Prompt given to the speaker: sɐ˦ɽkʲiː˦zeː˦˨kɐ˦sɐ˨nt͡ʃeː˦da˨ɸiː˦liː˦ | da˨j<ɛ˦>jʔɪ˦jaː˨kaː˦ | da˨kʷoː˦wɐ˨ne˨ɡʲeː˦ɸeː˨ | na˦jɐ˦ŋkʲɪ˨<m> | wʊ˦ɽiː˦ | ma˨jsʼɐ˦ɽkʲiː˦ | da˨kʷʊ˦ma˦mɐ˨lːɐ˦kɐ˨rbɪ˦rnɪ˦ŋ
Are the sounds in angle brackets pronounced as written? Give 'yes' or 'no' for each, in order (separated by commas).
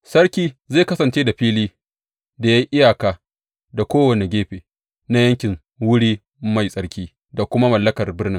no, no